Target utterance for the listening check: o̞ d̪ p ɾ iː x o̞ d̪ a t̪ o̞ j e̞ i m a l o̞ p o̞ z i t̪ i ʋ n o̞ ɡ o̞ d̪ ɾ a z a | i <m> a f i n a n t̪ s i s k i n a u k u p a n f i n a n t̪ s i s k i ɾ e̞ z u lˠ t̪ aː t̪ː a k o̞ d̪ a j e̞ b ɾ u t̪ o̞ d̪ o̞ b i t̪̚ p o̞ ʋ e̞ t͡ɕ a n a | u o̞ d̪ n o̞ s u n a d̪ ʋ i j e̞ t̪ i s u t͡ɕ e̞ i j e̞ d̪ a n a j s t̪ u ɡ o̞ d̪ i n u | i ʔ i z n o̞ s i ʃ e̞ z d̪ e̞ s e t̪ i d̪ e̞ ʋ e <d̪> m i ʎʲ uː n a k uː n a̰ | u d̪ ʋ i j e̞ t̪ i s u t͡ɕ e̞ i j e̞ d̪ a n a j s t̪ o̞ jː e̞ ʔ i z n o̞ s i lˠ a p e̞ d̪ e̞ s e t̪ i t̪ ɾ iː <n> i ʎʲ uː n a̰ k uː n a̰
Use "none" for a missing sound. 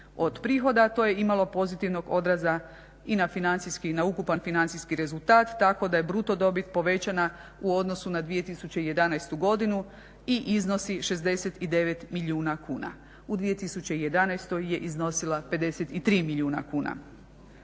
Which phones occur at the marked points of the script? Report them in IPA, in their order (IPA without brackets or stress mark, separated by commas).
n, t̪, m